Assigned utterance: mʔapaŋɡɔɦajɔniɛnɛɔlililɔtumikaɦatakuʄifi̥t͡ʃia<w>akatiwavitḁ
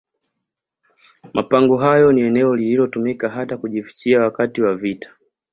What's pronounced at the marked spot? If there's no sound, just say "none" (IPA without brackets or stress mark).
w